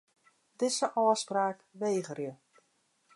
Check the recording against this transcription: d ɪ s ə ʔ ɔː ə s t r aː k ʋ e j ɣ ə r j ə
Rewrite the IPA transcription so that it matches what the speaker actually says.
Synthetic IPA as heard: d ɪ s ə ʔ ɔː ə s p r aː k ʋ e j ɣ ə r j ə

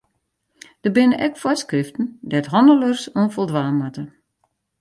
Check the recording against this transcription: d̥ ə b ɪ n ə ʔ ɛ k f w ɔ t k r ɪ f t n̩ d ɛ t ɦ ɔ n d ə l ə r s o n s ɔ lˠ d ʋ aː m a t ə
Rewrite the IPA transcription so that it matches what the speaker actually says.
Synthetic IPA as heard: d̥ ə b ɪ n ə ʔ ɛ k f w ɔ s k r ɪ f t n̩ d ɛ t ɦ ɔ n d ə l ə r s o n f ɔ lˠ d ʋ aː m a t ə

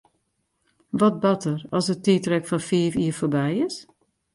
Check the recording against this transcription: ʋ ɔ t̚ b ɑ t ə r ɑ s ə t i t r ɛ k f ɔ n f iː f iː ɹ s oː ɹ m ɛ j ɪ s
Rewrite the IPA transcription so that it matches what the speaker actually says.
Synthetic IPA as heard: ʋ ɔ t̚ b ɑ t ə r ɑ s ə t i t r ɛ k f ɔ n f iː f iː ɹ f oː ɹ b ɛ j ɪ s

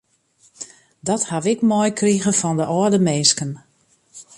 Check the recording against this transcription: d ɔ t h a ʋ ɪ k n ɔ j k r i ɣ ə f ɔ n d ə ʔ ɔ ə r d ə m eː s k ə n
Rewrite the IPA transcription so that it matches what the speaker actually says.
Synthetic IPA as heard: d ɔ t h a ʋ ɪ k m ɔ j k r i ɣ ə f ɔ n d ə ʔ ɔ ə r d ə m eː s k ə n

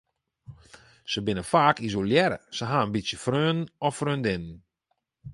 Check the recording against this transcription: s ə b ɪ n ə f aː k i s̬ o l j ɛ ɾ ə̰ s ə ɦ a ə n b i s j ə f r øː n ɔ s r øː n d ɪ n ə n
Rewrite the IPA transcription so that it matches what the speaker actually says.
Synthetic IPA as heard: s ə b ɪ n ə f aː k i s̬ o l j ɛ ɾ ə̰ s ə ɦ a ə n b i s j ə f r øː n ɔ f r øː n d ɪ n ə n

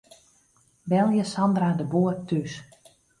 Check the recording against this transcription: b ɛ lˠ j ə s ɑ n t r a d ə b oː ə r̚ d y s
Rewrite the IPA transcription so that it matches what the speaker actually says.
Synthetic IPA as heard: b ɛ lˠ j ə s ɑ n d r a d ə b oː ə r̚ t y s

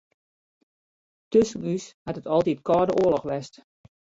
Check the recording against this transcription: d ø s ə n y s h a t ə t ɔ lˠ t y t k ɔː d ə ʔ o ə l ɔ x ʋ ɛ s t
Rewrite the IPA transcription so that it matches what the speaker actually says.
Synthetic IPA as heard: t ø s ə n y s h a t ə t ɔ lˠ t i t k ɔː d ə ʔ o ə l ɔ x ʋ ɛ s t

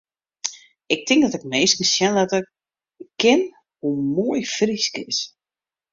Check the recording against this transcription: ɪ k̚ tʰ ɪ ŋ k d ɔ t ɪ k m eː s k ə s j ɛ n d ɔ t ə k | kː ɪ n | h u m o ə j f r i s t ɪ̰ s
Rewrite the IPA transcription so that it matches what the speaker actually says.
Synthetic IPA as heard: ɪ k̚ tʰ ɪ ŋ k d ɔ t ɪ k m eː s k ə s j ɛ n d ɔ t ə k | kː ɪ n | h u m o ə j f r i s k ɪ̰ s

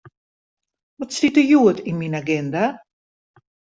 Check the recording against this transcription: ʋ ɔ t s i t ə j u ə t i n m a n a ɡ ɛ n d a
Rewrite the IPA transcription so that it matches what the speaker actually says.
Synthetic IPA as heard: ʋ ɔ t s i t ə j u ə t i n m i n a ɡ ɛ n d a

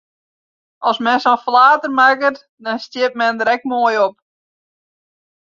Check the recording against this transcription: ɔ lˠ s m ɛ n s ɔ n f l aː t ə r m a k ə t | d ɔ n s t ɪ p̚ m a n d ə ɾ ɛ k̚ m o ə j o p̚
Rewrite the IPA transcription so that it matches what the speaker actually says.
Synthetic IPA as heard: ɔ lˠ s m ɛ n s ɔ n f l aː t ə r m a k ə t | d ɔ n s t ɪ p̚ m ɛ n d ə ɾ ɛ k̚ m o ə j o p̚

